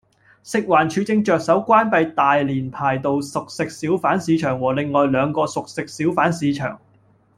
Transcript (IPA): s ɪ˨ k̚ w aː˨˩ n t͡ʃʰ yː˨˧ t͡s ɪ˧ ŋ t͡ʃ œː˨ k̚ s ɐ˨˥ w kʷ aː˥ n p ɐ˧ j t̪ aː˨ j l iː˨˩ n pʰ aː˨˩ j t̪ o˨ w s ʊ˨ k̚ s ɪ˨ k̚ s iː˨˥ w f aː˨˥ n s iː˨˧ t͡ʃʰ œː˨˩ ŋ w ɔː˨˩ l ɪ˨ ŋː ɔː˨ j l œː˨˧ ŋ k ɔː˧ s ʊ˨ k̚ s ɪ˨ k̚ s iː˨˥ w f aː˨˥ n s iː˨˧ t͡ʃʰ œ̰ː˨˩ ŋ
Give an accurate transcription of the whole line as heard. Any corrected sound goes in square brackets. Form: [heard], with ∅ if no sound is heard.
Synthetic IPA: s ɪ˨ k̚ w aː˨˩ n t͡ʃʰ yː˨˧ t͡s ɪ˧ ŋ t͡ʃ œː˨ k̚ s ɐ˨˥ w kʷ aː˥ n p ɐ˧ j t̪ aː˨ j l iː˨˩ n pʰ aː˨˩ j t̪ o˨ w s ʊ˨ k̚ s ɪ˨ k̚ s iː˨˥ w f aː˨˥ n s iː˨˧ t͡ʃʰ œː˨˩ ŋ w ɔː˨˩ l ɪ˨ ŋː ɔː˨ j l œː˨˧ ŋ k ɔː˧ s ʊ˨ k̚ s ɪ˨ k̚ s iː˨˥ w f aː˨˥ n s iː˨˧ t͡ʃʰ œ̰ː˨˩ ŋ